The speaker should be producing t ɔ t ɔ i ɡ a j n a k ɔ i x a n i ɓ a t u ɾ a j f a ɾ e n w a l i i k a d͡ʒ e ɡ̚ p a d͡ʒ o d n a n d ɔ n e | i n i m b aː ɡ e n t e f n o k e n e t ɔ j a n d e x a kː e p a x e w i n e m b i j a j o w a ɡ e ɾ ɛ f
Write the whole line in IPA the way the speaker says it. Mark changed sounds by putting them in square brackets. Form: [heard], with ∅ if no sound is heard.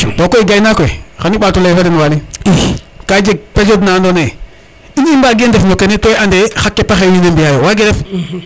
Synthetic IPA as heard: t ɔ [k] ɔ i ɡ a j n a k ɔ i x a n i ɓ a t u [l] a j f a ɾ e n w a l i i k a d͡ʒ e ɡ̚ p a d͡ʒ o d n a n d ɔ n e | i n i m b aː ɡ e n [d] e f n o k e n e t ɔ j a n d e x a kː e p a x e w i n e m b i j a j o w a ɡ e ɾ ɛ f